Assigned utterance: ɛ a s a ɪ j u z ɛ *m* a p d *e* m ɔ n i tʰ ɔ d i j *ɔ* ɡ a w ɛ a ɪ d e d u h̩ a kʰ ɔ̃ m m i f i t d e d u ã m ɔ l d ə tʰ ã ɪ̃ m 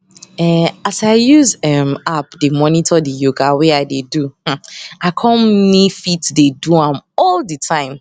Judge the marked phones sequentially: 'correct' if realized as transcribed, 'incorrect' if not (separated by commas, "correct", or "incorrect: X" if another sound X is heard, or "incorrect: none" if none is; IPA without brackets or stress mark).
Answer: correct, correct, incorrect: o